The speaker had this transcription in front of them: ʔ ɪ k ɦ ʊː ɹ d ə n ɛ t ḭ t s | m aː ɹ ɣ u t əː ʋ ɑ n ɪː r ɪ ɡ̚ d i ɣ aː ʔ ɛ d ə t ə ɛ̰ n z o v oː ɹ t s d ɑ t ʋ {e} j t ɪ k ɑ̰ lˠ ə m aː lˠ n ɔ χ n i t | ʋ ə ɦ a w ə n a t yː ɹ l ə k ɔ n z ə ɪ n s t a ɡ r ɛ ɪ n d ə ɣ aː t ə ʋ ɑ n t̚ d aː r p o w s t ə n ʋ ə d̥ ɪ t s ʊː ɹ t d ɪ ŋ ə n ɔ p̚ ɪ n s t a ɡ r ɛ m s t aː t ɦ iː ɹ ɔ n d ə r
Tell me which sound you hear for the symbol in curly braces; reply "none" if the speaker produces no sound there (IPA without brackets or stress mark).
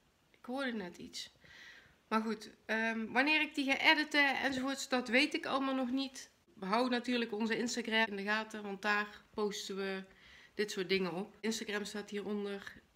e